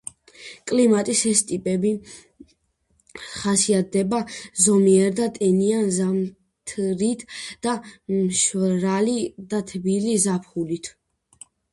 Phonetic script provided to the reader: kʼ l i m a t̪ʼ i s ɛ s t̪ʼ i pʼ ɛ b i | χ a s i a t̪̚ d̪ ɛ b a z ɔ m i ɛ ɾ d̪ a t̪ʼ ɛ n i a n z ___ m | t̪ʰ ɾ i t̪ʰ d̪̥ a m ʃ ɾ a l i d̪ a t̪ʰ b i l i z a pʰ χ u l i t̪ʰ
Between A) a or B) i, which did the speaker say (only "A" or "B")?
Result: A